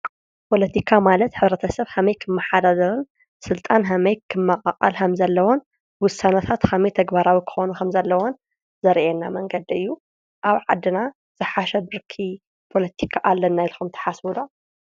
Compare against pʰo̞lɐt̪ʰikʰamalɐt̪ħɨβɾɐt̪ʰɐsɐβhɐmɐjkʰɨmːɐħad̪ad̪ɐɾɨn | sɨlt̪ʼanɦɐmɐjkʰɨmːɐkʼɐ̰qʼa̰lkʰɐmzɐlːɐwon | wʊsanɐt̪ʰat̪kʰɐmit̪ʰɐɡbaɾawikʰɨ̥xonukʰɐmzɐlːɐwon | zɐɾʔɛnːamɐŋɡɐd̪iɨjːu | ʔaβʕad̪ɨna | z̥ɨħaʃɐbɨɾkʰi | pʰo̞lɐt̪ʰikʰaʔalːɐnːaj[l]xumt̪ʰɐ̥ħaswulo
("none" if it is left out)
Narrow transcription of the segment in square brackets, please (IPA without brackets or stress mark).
l